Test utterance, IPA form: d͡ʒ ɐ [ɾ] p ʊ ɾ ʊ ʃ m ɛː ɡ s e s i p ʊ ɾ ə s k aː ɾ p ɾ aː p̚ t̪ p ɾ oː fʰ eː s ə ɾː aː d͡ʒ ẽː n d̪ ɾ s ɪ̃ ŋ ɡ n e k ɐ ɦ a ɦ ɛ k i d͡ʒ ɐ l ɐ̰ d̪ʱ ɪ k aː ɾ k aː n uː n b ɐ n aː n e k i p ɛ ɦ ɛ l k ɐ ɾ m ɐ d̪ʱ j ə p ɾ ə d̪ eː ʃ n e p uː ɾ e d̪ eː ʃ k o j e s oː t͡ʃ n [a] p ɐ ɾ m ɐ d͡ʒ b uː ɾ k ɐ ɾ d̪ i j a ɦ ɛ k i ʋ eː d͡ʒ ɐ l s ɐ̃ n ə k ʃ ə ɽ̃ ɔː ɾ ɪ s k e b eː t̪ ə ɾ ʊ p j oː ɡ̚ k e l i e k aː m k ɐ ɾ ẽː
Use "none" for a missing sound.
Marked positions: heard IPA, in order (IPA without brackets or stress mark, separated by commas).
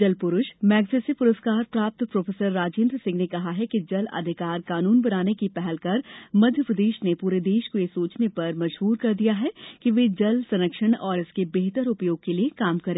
l, e